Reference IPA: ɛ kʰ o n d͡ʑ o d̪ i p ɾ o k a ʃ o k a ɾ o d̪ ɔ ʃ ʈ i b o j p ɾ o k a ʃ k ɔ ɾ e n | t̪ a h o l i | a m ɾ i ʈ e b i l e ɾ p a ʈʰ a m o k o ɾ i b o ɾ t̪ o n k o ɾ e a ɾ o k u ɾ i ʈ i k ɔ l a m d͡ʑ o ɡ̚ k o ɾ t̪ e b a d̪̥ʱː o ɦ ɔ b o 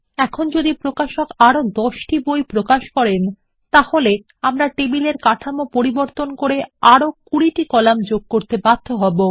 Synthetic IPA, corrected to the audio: ɛ kʰ o n d͡ʑ o d̪ i p ɾ o k a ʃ o k a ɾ o d̪ ɔ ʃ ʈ i b o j p ɾ o k a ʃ k ɔ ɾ e n | t̪ a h o l e | a m ɾ a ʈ e b i l e ɾ k a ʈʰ a m o p o ɾ i b o ɾ t̪ o n k o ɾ e a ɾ o k u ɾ i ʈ i k ɔ l a m d͡ʑ o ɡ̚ k o ɾ t̪ e b a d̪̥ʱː o ɦ ɔ b o